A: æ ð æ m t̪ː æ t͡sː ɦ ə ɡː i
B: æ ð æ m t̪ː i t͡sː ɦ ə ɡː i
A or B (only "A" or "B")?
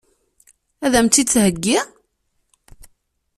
B